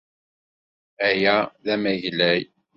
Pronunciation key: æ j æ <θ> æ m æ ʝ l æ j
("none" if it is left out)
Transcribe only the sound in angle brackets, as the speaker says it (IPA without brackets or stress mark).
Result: ð